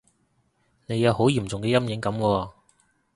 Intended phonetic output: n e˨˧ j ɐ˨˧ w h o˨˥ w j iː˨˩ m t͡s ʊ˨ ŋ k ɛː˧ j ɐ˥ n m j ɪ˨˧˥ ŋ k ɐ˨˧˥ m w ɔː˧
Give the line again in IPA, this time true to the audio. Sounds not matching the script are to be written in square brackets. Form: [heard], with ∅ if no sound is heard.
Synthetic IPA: n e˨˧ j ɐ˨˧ w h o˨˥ w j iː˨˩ m t͡s ʊ˨ ŋ k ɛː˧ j ɐ˥ [∅] m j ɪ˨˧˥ ŋ k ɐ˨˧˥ m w ɔː˧